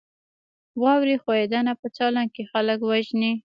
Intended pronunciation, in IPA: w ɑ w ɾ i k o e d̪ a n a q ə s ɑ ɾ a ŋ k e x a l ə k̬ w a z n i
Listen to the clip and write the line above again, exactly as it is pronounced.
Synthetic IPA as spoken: w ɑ w ɾ i x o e d̪ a n a p ə t͡s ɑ l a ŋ k e x a l ə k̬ w a ʒ n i

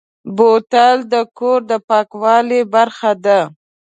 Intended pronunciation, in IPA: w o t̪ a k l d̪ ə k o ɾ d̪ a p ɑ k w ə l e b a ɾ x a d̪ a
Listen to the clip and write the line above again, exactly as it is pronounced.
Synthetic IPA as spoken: b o t̪ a l d̪ ə k o ɾ d̪ ə p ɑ k w ɑ l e b a ɾ x a d̪ a

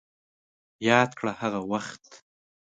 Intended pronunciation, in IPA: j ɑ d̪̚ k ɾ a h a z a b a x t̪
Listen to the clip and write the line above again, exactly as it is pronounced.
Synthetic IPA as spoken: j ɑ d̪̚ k ɽ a h a ɣ a w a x t̪

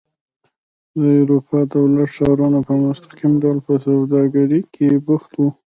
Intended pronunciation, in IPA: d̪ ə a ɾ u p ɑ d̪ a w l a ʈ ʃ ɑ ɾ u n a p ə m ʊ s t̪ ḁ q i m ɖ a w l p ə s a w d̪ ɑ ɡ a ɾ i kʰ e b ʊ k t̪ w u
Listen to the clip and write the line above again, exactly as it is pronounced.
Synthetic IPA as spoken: d̪ ə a ɾ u p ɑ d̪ a w l a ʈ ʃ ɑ ɾ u n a p ə m ʊ s t̪ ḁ q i m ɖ a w l p ə s a w d̪ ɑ ɡ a ɾ i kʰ e b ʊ x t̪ w u

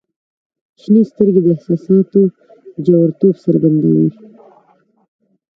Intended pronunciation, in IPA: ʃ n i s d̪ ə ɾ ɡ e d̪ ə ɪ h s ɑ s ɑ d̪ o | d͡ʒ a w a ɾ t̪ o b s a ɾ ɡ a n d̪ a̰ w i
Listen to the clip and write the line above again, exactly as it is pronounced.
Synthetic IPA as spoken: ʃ n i s t̪ ə ɾ ɡ e d̪ ə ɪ h s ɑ s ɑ t̪ o | d͡ʒ a w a ɾ t̪ o b s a ɾ ɡ a n d̪ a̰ w i

